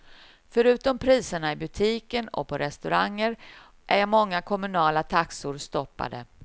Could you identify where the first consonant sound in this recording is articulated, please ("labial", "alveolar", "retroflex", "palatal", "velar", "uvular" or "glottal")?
labial